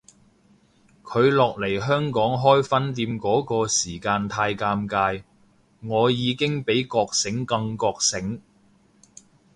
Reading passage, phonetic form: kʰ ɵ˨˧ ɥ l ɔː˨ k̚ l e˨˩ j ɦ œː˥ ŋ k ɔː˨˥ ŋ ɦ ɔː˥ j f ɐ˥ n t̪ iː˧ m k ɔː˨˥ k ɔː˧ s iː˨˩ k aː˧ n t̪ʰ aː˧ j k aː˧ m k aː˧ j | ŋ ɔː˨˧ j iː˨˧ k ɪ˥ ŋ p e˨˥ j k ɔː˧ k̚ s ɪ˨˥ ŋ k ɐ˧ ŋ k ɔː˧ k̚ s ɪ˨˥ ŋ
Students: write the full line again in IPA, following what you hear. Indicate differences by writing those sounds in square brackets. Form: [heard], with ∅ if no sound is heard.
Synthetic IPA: kʰ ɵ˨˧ ɥ l ɔː˨ k̚ l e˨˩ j ɦ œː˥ ŋ k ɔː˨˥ ŋ ɦ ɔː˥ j f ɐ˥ n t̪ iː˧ m k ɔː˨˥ k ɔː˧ s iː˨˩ k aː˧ n t̪ʰ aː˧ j k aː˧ m k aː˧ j | ŋ ɔː˨˧ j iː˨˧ k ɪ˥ ŋ p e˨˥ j k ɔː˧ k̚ s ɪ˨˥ ŋ k ɐ˧ ŋ k ɔː˧ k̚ s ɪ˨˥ ŋ

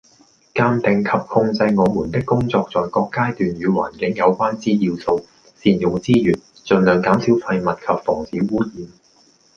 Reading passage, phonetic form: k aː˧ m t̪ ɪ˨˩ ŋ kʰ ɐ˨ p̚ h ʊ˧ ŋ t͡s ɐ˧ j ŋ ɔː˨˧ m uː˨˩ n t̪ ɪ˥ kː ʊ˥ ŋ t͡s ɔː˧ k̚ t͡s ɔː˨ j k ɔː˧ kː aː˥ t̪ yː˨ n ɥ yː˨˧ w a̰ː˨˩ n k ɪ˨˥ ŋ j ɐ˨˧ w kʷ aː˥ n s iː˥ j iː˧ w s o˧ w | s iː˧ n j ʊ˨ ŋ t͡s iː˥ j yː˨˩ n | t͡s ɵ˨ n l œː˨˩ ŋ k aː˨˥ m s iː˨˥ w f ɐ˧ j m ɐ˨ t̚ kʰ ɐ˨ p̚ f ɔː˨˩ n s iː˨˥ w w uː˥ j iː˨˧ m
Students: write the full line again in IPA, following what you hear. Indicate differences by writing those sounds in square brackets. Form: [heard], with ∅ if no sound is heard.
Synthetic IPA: k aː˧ m t̪ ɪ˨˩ ŋ kʰ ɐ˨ p̚ h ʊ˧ ŋ t͡s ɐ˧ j ŋ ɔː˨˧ m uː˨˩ n t̪ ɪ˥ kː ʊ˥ ŋ t͡s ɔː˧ k̚ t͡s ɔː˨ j k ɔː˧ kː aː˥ t̪ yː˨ n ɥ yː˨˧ w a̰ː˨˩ n k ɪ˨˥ ŋ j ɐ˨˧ w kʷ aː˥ n [t͡s] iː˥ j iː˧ w s o˧ w | s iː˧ n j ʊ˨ ŋ t͡s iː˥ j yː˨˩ n | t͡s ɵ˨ n l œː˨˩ ŋ k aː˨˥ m s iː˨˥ w f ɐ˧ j m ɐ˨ t̚ kʰ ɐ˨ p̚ f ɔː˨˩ [ŋ] s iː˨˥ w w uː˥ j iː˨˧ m

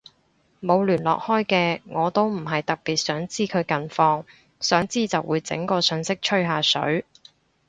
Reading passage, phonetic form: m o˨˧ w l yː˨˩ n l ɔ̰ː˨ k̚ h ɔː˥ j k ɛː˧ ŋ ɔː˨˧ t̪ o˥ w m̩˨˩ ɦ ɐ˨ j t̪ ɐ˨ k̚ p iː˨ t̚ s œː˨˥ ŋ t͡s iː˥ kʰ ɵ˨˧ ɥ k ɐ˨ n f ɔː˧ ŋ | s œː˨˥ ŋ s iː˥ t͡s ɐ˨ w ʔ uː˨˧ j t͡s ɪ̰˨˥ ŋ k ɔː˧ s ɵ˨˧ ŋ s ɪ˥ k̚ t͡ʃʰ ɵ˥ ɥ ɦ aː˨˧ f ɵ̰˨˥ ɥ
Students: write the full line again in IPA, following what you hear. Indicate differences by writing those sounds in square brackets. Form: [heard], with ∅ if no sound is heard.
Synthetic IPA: m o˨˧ w l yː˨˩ n l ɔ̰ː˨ k̚ h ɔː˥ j k ɛː˧ ŋ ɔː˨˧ t̪ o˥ w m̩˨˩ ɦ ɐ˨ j t̪ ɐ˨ k̚ p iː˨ t̚ s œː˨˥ ŋ t͡s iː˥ kʰ ɵ˨˧ ɥ k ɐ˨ n f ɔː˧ ŋ | s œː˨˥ ŋ [t͡s] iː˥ t͡s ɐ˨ w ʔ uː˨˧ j t͡s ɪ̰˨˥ ŋ k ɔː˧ s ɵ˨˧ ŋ s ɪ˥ k̚ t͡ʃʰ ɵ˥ ɥ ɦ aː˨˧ [s] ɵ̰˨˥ ɥ

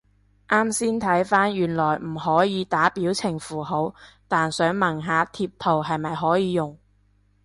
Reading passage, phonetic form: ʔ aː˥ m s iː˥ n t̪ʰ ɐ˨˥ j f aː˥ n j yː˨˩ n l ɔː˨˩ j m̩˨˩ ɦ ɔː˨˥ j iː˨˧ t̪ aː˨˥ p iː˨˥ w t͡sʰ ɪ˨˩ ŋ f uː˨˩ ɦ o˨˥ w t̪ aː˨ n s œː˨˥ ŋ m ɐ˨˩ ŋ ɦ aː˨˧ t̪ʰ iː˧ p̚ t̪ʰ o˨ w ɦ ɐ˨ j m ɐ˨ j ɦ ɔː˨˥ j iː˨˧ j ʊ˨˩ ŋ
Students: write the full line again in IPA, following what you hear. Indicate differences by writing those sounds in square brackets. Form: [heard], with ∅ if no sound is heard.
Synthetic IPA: ʔ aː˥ m s iː˥ n t̪ʰ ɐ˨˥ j f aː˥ n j yː˨˩ n l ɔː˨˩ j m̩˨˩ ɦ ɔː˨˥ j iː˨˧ t̪ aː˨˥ p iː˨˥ w t͡sʰ ɪ˨˩ ŋ f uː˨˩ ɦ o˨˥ w t̪ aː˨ n s œː˨˥ ŋ m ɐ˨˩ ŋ ɦ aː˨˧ t̪ʰ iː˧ p̚ t̪ʰ o˨ w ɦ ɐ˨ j m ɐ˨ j ɦ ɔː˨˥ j iː˨˧ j ʊ˨˩ ŋ

